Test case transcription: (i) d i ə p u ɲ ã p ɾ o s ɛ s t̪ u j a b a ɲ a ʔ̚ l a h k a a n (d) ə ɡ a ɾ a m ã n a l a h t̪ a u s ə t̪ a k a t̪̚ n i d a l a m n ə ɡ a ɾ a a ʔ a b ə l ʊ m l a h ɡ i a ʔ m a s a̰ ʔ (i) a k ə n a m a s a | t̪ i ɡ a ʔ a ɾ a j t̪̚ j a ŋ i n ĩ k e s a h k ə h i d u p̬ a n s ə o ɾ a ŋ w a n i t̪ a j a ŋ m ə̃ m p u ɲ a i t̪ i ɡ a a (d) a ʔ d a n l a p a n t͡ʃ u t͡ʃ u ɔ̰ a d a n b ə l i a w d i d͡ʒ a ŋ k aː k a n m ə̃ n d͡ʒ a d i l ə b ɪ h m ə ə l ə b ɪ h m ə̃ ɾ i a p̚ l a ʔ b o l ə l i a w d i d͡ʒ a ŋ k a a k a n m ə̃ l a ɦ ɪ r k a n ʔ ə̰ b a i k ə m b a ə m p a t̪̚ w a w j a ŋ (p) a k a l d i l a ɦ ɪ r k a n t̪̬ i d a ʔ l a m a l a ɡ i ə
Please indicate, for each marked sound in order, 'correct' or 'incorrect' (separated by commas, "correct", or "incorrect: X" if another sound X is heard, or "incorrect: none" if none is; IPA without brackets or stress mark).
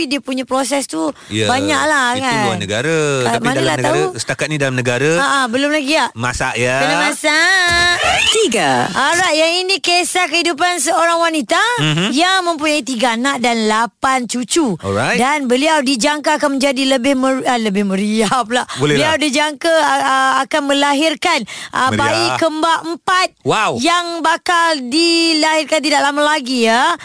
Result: correct, incorrect: n, incorrect: j, incorrect: n, incorrect: b